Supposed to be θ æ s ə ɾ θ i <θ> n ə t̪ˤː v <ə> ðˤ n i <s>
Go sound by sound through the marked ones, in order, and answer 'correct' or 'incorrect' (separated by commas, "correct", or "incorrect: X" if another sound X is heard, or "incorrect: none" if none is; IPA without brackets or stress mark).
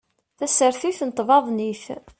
correct, incorrect: ɑ, incorrect: θ